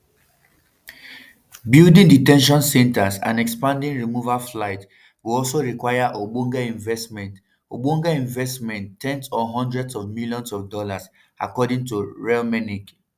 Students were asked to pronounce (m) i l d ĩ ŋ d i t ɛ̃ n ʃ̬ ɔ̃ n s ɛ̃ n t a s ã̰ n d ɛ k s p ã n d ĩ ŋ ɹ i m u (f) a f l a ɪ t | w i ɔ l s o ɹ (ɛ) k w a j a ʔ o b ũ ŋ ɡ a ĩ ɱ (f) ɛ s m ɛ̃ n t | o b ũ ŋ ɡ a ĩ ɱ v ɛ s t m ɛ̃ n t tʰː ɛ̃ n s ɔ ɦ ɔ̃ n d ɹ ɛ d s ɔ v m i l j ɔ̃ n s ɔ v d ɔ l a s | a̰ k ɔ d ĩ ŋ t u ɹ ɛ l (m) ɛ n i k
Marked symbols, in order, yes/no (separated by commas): no, no, no, no, yes